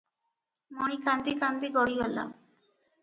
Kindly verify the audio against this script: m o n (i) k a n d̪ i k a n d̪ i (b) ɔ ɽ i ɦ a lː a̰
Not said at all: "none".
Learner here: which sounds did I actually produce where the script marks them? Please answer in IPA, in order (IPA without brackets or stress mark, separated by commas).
i, ɡ